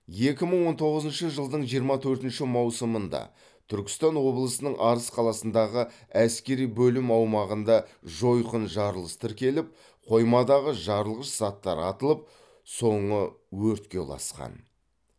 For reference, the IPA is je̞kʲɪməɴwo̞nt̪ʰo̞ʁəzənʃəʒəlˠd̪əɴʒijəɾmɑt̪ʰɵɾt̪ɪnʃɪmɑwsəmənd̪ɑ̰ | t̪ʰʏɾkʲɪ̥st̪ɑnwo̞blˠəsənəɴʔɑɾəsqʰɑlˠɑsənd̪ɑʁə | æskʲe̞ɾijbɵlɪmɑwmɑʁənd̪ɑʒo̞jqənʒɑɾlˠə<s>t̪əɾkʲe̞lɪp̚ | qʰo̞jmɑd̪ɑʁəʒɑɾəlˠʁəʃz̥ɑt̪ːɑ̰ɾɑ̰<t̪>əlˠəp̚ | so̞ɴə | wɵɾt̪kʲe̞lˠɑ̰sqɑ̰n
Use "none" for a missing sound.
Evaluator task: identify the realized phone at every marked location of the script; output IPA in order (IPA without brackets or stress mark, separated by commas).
s, t̪